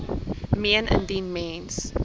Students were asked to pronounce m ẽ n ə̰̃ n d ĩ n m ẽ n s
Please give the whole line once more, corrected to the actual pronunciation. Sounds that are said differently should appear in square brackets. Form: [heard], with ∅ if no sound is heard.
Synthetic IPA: m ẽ n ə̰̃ n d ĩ n m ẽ n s